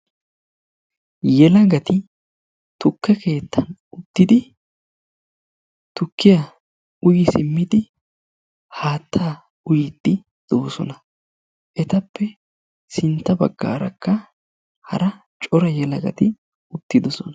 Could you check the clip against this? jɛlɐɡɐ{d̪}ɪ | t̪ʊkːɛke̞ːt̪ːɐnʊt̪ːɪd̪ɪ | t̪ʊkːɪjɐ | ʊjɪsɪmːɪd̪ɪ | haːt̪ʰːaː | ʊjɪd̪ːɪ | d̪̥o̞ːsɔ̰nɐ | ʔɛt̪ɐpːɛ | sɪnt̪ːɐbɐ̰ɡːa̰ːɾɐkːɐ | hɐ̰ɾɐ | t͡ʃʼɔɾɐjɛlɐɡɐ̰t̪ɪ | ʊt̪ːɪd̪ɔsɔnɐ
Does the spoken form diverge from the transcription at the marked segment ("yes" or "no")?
yes